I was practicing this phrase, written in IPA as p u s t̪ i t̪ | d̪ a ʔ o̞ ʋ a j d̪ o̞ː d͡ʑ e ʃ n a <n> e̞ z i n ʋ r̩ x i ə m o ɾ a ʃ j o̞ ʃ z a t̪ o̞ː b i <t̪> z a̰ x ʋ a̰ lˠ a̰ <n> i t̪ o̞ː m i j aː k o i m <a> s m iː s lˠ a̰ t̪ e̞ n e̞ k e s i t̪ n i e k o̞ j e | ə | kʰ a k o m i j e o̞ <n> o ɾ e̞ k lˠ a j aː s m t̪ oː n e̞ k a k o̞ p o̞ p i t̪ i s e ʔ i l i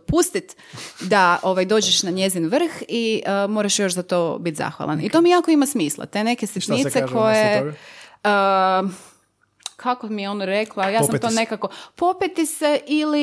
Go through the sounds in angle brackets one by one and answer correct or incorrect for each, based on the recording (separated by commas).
incorrect, correct, correct, correct, correct